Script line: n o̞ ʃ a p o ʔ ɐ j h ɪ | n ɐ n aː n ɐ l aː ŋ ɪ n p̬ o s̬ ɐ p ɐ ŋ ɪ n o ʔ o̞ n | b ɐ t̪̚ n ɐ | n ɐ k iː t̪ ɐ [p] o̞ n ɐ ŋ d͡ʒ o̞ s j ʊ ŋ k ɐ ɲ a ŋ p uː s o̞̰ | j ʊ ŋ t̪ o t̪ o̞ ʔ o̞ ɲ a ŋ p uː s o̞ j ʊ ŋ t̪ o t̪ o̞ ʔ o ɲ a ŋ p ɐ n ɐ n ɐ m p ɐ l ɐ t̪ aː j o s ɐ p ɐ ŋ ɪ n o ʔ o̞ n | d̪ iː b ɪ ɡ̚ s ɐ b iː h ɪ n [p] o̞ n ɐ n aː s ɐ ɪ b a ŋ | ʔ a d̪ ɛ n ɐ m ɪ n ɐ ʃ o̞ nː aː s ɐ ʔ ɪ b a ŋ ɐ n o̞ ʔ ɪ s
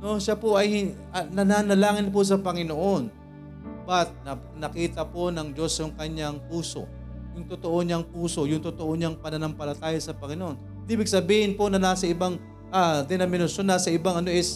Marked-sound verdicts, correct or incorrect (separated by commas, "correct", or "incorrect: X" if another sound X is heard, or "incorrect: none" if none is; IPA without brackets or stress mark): correct, correct